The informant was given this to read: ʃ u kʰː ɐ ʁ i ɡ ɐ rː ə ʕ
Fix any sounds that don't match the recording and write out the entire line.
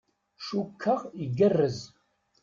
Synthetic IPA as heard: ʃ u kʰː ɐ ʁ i ɡ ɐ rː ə z

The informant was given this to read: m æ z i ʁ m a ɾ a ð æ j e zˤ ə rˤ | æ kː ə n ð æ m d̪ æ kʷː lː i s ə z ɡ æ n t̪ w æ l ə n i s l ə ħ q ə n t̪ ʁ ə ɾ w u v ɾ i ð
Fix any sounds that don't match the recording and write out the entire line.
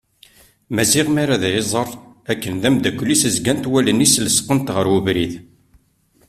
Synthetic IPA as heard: m æ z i ʁ m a ɾ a ð æ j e zˤ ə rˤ | æ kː ə n ð æ m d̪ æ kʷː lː i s ə z ɡ æ n t̪ w æ l ə n i s l ə s q ə n t̪ ʁ ə ɾ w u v ɾ i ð

